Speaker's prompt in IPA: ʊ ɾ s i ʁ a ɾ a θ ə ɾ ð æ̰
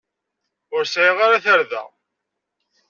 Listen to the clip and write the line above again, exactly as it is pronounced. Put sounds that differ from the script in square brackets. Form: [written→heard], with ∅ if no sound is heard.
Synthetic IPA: ʊ ɾ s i ʁ a ɾ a θ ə ɾ ð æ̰